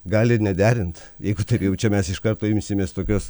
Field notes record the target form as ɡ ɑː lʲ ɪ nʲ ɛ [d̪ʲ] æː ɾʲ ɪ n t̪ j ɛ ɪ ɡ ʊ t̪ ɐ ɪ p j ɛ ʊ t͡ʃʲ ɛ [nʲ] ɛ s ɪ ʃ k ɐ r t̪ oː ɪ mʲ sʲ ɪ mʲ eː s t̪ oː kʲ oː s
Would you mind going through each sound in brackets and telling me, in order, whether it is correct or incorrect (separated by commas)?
correct, incorrect